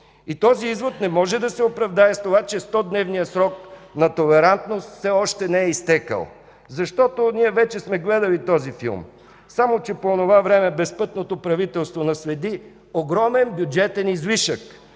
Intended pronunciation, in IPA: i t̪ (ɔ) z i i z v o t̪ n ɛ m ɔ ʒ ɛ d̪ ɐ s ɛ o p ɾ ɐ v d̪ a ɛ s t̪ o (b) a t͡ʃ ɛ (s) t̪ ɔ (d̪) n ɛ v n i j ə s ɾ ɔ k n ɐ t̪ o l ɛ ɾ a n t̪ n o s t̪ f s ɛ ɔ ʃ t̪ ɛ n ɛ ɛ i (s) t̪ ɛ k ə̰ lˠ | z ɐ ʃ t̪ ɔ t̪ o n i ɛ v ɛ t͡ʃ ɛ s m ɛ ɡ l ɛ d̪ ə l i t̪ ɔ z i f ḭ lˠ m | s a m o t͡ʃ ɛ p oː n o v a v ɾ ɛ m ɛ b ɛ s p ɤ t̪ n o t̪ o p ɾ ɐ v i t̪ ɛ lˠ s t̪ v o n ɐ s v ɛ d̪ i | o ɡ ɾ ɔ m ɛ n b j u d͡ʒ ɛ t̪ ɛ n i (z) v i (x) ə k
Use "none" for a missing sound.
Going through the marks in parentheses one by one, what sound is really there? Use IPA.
ɔ, v, s, d̪, s, z, ʃ

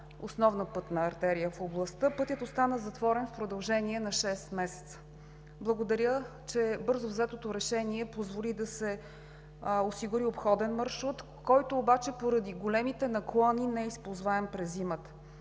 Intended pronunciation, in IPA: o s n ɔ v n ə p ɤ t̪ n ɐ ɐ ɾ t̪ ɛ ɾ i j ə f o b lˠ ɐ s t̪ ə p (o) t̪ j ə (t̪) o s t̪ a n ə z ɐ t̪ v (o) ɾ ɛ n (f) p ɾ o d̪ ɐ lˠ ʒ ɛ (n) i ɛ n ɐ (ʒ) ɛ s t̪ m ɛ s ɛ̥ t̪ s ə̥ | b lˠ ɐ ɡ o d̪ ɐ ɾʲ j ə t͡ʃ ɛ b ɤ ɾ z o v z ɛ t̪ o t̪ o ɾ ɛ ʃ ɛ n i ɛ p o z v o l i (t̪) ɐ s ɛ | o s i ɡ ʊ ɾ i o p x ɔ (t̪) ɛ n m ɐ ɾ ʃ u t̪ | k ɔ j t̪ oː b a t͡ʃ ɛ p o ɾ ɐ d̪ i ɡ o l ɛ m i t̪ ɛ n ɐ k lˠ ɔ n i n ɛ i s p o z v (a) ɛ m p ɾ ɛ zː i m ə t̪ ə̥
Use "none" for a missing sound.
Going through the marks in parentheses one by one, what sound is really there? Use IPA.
ɤ, t̪, ɔ, f, n, ʃ, d̪, d̪, a

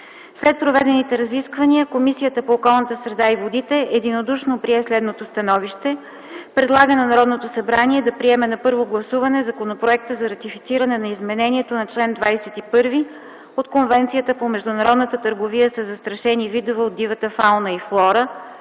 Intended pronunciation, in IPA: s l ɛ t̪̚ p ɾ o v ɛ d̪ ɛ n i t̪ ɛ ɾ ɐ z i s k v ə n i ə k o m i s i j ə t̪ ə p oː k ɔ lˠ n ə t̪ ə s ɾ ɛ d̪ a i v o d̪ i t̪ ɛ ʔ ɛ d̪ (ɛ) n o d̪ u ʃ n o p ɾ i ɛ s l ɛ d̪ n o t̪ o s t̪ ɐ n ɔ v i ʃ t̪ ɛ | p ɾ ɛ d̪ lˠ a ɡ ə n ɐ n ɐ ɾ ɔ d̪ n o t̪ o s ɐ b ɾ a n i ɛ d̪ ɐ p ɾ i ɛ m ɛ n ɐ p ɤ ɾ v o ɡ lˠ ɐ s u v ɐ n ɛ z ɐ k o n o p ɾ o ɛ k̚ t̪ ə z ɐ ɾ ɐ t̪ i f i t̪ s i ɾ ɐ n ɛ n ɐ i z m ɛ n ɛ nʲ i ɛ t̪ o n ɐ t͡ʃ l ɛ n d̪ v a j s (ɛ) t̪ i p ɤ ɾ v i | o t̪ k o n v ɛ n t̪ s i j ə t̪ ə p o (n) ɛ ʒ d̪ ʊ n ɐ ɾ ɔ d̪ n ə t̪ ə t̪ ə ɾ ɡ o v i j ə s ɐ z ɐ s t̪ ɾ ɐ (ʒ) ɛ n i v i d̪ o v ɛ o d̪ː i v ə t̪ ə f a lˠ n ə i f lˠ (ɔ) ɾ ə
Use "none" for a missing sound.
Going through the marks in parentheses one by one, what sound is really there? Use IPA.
i, ɛ, m, ʃ, ɔ

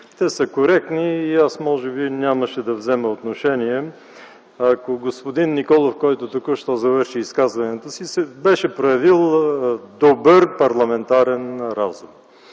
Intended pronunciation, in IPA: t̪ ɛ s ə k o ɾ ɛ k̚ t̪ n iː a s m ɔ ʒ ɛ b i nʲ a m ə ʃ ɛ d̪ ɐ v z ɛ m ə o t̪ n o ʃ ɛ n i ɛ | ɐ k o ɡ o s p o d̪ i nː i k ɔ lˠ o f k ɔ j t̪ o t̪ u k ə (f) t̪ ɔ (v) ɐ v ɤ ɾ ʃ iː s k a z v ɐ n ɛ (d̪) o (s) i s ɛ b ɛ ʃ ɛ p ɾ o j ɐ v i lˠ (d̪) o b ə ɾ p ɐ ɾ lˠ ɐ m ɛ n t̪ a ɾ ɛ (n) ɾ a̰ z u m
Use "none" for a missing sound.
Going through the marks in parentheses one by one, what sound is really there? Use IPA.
ʃ, z, t̪, s, d̪, n

